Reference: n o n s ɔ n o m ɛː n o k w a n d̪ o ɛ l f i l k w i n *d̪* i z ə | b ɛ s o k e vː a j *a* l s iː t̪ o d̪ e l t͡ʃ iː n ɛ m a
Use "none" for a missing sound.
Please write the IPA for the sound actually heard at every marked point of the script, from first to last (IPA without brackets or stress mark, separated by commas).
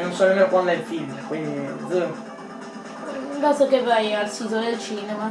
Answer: d̪, a